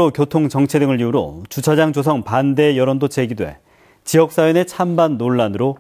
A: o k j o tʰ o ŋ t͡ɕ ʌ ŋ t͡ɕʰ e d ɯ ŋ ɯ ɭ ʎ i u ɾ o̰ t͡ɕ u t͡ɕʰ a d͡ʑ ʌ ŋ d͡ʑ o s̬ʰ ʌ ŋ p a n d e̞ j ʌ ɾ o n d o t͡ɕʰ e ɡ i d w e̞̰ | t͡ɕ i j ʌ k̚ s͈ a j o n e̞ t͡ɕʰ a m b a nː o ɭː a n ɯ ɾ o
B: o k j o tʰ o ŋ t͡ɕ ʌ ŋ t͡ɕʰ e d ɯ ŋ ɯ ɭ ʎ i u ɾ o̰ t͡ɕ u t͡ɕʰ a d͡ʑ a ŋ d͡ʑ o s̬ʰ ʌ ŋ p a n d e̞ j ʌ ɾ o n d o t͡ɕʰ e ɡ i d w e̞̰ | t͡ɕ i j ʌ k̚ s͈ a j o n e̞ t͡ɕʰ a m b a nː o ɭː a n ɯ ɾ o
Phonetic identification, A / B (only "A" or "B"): B